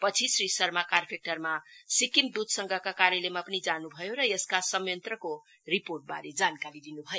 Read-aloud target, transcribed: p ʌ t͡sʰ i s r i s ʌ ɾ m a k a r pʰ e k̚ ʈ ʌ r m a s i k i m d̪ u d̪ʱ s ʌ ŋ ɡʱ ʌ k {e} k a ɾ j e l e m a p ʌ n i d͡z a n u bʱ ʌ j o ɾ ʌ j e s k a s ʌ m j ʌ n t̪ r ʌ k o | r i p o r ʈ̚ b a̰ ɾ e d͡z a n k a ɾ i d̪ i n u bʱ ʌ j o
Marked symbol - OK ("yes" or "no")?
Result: no